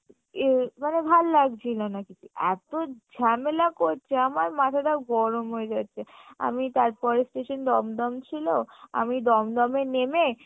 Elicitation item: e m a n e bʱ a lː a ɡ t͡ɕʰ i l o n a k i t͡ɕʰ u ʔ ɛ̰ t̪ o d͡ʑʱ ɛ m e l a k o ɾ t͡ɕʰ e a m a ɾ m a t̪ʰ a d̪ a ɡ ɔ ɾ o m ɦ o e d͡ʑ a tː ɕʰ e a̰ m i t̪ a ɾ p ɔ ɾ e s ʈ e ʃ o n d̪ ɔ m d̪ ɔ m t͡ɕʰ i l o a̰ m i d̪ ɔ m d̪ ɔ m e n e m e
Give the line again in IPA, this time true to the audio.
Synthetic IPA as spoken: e m a n e bʱ a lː a ɡ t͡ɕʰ i l o n a k i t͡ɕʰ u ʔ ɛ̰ t̪ o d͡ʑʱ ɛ m e l a k o ɾ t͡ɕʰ e a m a ɾ m a t̪ʰ a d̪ a ɡ ɔ ɾ o m ɦ o e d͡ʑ a tː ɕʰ e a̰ m i t̪ a ɾ p ɔ ɾ e s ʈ e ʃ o n d̪ ɔ m d̪ ɔ m t͡ɕʰ i l o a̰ m i d̪ ɔ m d̪ ɔ m e n e m e